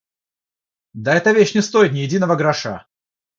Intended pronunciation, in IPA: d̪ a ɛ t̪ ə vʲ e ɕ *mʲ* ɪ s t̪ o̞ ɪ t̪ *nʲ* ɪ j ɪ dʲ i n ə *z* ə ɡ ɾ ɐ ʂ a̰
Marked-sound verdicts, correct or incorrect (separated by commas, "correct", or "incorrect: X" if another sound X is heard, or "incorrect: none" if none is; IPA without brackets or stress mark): incorrect: nʲ, correct, incorrect: v